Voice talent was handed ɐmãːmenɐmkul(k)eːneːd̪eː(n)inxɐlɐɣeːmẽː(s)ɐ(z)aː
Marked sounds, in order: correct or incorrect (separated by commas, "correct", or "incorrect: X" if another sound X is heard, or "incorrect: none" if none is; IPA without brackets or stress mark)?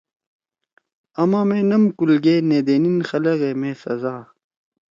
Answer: incorrect: ɡ, correct, correct, correct